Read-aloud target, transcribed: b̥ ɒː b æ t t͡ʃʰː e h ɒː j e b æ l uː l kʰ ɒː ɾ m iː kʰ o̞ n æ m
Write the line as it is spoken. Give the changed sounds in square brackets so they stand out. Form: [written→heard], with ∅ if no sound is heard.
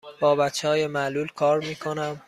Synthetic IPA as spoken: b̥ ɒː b æ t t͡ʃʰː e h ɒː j e [b→m] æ l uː l kʰ ɒː ɾ m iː kʰ o̞ n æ m